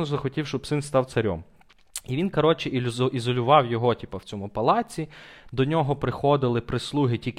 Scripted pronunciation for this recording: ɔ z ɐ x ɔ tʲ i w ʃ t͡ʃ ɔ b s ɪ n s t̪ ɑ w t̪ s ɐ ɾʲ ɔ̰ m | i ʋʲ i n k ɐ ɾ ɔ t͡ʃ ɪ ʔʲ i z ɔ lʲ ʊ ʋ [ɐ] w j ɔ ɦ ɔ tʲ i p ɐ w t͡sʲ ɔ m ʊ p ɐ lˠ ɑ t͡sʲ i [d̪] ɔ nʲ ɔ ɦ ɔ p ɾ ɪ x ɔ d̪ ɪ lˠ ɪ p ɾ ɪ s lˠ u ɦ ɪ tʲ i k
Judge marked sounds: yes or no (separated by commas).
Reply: no, yes